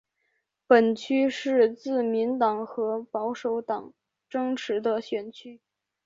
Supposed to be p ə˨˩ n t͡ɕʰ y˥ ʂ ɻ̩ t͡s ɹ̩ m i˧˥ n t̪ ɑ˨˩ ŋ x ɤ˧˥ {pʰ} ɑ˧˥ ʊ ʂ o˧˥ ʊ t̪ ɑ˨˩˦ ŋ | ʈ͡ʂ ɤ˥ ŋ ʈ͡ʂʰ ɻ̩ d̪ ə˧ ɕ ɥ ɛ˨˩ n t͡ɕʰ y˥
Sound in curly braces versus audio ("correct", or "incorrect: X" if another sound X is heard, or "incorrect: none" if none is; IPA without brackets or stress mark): incorrect: p